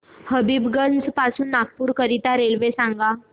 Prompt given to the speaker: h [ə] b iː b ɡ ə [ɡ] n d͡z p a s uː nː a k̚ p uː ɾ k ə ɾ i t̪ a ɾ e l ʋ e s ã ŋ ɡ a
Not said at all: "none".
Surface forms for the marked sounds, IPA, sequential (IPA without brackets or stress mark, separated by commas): ə, none